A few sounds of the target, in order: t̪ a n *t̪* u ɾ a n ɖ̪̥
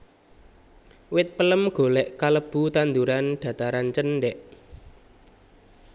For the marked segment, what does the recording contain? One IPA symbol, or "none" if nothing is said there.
d̪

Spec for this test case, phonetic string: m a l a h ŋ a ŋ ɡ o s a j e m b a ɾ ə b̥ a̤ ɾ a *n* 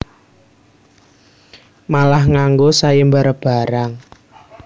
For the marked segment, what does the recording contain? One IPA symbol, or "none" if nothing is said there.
ŋ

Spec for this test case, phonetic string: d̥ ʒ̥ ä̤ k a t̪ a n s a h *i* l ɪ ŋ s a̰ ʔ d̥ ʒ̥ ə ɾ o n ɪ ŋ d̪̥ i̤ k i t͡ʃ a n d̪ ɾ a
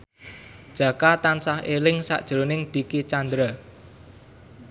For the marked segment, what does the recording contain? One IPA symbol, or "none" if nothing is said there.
e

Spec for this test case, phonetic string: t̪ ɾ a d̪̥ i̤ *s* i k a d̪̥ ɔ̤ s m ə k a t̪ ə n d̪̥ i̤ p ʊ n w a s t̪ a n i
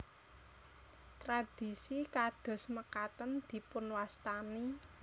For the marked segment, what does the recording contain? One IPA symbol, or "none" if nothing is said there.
s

